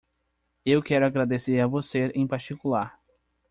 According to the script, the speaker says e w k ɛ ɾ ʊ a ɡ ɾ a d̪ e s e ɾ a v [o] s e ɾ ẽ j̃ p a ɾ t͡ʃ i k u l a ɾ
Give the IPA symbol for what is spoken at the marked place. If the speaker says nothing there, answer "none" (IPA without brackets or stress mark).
o